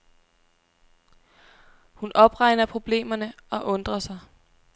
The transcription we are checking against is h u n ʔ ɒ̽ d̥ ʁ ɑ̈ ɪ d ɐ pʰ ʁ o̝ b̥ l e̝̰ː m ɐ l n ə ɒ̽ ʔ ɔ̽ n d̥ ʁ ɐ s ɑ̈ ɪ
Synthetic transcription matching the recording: h u n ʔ ɒ̽ b̥ ʁ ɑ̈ ɪ n ɐ pʰ ʁ o̝ b̥ l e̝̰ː m ɐ n ə ɒ̽ ʔ ɔ̽ n d̥ ʁ ɐ s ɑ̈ ɪ